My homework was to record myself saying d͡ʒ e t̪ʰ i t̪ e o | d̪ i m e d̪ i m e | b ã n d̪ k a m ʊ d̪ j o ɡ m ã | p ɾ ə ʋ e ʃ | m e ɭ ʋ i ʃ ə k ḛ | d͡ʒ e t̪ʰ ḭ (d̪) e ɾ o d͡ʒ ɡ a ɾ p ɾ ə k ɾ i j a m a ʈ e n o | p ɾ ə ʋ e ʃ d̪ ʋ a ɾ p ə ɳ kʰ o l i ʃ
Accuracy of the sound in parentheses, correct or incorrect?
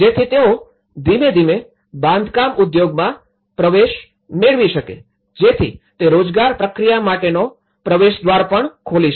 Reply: incorrect